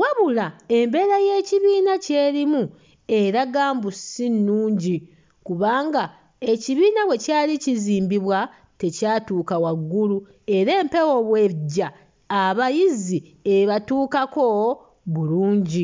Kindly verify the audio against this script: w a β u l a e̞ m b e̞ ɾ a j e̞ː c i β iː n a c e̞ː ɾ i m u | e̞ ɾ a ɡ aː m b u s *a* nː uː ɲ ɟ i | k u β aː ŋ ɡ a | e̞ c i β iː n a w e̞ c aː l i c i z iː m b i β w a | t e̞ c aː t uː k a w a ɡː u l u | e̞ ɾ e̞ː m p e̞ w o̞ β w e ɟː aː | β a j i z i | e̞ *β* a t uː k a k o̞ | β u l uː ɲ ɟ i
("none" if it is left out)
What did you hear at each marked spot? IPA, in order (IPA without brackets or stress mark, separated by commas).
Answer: i, β